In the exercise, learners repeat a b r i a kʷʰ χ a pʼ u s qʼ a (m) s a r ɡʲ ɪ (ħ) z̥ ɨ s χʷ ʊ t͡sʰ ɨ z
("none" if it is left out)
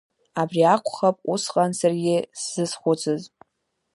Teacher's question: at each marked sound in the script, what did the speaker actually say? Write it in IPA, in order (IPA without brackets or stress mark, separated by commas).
n, s